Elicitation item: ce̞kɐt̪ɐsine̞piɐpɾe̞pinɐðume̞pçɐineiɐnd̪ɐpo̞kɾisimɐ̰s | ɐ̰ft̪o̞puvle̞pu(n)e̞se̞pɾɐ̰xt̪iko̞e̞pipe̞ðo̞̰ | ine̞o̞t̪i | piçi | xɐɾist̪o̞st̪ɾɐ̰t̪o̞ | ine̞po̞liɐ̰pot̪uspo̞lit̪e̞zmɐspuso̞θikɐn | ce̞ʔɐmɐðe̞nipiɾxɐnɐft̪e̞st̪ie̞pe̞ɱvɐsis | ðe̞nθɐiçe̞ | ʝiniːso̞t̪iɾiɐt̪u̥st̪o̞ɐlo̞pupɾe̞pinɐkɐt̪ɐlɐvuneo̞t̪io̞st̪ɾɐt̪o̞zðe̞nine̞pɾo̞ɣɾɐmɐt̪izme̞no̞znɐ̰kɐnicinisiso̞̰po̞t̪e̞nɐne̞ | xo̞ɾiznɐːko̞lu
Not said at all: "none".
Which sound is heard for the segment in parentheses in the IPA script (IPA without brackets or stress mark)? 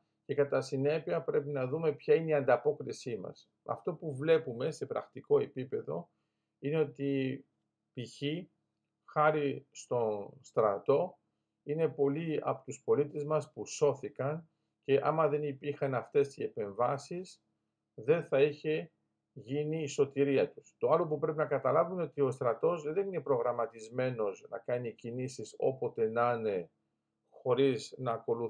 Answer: m